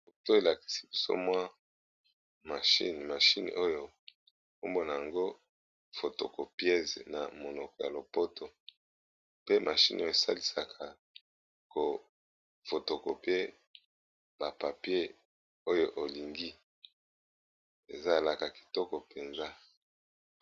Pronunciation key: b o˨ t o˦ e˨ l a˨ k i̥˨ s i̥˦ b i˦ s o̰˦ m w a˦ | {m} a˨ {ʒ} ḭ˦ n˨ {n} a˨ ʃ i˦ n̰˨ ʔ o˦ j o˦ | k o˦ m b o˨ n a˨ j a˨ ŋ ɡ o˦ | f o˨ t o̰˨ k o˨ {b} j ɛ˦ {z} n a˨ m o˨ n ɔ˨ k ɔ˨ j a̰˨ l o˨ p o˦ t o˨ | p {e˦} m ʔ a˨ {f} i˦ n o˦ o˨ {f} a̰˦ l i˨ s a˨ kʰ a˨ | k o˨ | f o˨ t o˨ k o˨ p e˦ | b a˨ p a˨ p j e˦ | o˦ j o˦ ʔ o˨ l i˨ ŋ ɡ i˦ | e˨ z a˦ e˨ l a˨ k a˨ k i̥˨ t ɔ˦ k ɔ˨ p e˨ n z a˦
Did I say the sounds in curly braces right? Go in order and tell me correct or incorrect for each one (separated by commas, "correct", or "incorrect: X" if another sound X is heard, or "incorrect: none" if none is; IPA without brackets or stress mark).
correct, incorrect: ʃ, incorrect: m, incorrect: p, correct, correct, incorrect: ʃ, incorrect: s